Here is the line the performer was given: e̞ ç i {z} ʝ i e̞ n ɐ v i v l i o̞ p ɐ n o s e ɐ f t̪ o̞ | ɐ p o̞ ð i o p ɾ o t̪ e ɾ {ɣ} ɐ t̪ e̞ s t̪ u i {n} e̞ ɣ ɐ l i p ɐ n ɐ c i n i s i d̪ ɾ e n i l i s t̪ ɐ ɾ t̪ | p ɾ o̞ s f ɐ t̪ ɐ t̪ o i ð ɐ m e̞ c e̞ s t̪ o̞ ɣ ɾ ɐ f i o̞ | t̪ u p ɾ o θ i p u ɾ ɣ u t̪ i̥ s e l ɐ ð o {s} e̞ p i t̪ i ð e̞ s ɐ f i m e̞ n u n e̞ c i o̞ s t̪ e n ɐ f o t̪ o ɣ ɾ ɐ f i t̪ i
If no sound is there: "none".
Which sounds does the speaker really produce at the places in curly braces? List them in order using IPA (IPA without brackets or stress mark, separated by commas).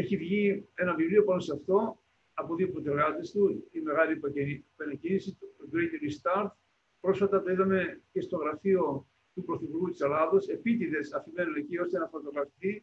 v, ɣ, m, s